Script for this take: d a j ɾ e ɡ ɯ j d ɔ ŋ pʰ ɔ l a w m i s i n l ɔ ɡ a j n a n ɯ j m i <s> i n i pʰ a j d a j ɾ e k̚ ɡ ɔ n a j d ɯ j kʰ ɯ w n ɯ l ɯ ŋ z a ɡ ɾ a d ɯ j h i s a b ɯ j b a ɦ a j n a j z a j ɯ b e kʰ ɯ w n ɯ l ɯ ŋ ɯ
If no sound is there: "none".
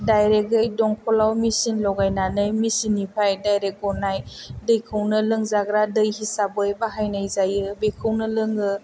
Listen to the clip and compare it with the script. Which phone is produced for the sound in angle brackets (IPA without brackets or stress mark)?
s